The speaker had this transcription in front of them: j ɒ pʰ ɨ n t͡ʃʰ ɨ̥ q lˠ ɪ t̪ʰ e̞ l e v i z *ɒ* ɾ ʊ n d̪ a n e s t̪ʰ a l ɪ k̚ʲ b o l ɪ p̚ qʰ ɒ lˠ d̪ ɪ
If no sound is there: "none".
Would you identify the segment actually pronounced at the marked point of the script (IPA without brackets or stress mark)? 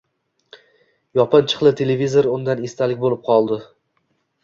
o